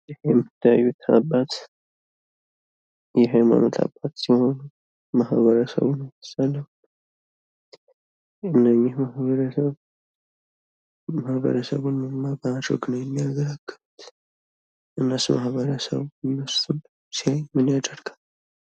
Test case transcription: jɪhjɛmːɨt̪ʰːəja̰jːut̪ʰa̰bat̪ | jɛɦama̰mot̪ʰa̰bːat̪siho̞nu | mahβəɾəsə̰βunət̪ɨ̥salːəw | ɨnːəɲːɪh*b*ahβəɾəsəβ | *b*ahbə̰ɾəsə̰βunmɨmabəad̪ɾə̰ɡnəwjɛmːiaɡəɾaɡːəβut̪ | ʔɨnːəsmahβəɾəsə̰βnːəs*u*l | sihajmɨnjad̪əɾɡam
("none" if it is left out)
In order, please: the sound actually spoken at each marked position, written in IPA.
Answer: m, m, u

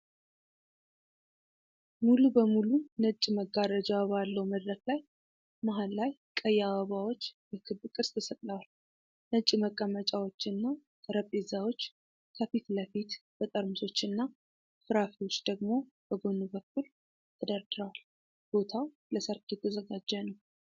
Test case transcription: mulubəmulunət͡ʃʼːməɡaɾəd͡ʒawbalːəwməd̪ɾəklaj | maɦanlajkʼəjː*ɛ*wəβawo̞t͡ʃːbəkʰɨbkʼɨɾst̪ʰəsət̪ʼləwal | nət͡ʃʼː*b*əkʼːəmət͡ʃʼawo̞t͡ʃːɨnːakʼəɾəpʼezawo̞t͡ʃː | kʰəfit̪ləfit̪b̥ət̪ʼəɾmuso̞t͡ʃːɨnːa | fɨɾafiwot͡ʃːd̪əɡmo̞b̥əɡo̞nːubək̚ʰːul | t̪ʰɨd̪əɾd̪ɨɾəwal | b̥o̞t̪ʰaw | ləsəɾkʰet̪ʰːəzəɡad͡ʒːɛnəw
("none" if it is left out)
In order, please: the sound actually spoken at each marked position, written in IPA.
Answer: a, m

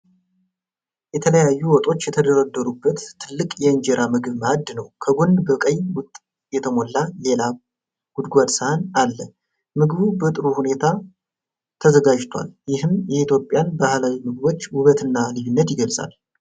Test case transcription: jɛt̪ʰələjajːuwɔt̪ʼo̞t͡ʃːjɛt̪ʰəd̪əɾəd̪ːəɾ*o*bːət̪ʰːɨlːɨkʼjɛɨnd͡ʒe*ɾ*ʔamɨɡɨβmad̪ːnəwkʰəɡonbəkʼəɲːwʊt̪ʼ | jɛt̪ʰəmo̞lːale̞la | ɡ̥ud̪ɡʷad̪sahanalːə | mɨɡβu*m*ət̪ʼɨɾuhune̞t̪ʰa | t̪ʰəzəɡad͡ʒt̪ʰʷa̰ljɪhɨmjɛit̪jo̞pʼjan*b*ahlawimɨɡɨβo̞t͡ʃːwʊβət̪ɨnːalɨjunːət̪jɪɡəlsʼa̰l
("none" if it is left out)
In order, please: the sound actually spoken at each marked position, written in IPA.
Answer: u, ɾ, b, b

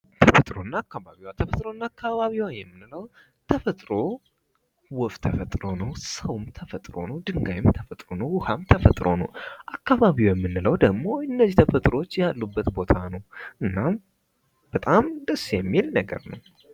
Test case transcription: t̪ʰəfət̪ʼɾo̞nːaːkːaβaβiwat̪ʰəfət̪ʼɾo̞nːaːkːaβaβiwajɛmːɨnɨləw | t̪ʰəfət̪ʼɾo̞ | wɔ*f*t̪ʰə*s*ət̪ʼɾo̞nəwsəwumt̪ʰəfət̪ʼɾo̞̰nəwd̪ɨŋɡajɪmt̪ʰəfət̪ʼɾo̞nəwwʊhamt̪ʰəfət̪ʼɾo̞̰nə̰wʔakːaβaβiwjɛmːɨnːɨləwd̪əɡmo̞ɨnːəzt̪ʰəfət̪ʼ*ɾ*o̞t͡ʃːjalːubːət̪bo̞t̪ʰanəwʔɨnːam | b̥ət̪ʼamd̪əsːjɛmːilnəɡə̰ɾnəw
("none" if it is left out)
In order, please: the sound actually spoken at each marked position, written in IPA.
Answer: f, f, ɾ

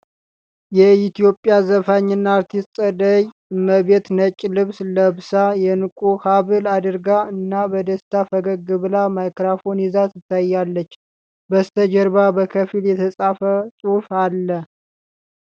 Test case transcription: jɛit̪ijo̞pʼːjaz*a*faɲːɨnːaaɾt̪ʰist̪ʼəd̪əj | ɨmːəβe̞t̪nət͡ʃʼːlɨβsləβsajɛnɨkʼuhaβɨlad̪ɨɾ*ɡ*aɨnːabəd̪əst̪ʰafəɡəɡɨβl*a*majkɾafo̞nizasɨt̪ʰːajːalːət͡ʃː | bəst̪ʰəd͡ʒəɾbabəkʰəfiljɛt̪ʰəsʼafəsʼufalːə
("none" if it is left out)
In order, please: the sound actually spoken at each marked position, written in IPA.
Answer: ə, ɡ, a

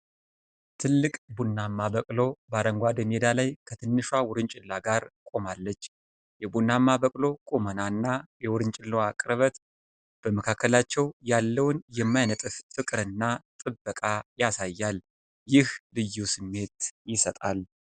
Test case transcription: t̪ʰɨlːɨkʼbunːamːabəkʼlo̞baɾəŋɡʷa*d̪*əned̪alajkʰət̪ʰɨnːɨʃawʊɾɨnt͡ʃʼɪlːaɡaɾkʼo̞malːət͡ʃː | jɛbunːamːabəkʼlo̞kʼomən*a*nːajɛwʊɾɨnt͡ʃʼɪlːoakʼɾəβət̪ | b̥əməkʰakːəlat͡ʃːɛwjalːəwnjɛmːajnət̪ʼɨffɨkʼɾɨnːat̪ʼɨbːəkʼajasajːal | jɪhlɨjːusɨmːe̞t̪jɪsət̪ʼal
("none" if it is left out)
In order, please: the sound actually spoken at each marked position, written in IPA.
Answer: d̪, a

